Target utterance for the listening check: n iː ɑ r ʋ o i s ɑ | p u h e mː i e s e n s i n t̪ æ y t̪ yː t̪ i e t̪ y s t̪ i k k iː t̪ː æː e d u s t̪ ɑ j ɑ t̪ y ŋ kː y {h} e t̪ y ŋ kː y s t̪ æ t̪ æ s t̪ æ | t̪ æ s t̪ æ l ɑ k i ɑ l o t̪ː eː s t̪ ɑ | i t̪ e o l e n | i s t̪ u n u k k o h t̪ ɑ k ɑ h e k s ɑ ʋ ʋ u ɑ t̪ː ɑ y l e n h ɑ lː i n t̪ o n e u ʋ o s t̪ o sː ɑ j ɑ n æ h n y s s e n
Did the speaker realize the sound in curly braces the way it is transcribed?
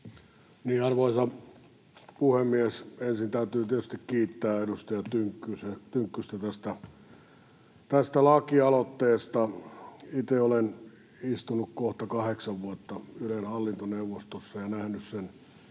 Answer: no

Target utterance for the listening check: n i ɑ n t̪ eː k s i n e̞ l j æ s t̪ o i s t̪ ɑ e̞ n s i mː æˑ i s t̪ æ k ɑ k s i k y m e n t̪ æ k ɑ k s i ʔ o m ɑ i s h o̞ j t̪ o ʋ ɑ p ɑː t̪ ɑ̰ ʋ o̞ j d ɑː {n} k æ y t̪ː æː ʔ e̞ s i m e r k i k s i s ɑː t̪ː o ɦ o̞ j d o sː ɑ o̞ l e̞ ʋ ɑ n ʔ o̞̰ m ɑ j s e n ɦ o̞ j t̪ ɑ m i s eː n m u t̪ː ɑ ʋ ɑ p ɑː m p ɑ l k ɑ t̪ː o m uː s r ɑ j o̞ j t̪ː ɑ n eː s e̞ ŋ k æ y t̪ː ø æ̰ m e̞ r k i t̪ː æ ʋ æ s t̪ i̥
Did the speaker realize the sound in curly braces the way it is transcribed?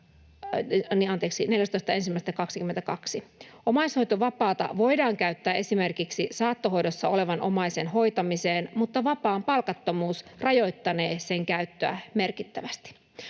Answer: no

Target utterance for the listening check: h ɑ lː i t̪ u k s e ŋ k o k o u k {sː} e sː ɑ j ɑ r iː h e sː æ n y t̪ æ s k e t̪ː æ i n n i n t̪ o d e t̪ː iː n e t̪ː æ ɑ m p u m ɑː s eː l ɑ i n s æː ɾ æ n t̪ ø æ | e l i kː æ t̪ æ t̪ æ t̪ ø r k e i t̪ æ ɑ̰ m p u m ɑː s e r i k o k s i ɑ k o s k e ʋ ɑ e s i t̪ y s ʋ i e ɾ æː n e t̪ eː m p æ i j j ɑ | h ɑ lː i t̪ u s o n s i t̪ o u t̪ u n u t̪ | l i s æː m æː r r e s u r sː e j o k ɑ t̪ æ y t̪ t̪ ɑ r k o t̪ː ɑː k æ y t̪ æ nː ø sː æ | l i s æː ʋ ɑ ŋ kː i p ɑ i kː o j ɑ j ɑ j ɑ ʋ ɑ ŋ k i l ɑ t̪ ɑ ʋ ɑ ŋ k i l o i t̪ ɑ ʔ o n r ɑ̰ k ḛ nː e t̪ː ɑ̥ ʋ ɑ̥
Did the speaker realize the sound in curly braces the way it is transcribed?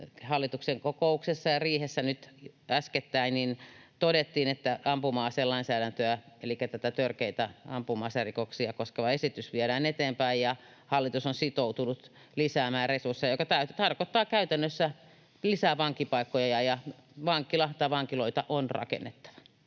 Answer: no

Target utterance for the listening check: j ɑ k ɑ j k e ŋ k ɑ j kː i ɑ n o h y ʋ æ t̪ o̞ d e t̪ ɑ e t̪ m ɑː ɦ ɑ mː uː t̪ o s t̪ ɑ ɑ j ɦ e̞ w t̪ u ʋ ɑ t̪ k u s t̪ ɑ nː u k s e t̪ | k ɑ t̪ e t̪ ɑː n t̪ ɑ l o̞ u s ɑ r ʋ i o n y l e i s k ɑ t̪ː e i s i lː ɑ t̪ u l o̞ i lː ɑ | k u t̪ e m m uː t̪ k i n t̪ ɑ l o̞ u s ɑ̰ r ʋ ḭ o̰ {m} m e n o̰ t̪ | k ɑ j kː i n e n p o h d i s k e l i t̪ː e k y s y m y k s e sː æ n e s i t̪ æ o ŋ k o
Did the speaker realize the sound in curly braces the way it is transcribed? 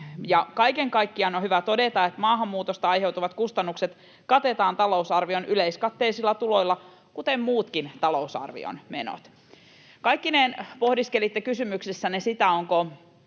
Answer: no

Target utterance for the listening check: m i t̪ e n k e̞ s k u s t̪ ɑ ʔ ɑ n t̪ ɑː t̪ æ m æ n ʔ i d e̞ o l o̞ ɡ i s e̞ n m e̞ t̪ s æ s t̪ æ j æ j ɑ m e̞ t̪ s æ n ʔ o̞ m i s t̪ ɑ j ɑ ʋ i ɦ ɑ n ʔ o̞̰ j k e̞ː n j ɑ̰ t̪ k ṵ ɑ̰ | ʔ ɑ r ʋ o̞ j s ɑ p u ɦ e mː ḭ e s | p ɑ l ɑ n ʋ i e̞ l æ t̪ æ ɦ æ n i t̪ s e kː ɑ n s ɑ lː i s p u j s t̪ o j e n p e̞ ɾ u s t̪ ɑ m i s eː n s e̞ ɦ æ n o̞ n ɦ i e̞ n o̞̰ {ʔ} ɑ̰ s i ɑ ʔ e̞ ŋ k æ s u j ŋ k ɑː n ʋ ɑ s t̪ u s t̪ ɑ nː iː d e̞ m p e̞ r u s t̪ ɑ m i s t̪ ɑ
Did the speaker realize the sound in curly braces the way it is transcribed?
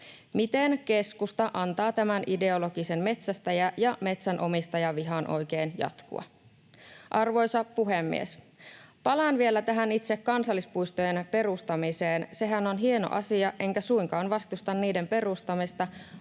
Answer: yes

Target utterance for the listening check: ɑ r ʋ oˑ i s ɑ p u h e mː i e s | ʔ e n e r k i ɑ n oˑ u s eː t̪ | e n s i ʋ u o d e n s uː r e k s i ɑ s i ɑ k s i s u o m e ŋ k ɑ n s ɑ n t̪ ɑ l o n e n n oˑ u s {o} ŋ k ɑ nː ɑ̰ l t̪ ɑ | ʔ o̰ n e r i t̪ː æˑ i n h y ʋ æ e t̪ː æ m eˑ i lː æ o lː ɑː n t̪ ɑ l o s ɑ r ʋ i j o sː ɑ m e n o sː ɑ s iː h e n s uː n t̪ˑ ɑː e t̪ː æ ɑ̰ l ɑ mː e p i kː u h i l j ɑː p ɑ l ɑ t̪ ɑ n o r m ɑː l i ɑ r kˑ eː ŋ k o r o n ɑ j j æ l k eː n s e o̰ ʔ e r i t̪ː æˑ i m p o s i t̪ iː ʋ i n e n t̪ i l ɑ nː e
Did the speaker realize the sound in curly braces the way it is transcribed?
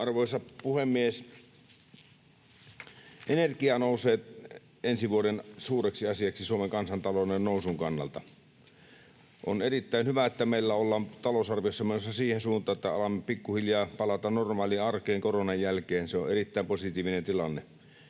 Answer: no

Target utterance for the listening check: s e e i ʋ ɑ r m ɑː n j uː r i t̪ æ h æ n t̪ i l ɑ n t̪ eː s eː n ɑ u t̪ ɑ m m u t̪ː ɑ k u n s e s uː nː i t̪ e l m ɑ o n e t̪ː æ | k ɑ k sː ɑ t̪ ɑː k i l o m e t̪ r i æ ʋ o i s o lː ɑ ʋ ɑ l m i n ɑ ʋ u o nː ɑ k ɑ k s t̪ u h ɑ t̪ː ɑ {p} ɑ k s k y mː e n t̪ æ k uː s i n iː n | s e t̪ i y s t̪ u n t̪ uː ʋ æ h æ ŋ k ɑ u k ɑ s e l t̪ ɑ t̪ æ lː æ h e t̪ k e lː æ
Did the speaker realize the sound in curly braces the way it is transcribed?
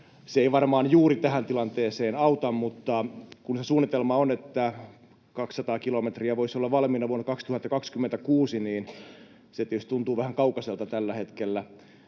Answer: no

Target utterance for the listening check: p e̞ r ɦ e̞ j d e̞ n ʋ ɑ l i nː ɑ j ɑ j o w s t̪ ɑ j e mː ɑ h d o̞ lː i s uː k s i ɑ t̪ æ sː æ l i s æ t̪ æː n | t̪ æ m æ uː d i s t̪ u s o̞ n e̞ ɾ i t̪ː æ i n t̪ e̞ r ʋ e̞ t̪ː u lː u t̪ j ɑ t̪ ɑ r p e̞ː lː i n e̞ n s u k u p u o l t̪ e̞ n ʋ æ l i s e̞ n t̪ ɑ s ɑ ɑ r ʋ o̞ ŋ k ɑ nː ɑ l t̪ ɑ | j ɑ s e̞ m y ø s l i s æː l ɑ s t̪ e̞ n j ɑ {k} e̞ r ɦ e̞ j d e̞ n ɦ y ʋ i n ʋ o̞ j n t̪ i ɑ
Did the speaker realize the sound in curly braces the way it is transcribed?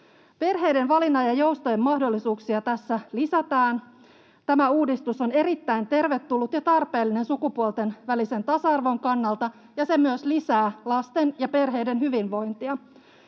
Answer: no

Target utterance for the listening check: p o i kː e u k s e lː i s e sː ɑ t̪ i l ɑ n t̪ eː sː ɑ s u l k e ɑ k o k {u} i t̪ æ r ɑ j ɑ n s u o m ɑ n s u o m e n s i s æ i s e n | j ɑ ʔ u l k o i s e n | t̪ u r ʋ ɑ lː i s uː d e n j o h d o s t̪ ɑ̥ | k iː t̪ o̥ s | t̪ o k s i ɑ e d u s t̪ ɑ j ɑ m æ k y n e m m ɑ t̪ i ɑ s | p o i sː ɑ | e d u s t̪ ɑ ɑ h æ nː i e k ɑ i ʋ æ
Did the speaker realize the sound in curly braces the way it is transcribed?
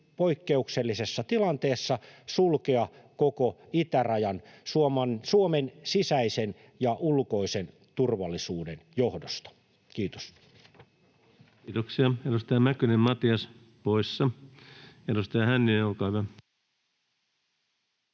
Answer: no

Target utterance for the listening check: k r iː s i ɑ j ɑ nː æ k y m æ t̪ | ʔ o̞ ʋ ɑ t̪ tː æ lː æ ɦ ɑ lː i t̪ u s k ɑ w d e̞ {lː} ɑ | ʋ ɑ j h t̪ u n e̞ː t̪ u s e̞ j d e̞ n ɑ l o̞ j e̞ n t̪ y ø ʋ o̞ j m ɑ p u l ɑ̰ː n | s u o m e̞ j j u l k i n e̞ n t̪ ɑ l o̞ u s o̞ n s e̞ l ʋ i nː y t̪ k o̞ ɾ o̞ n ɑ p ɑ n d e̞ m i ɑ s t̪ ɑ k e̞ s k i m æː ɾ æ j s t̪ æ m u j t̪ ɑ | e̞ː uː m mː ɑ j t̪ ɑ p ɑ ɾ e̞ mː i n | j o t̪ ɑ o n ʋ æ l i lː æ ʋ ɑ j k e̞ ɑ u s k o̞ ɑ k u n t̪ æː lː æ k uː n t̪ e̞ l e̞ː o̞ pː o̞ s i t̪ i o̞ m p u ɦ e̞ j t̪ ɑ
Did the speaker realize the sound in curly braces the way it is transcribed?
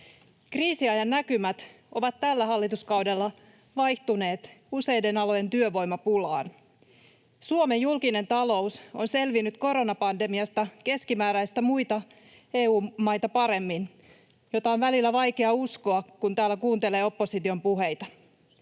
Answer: yes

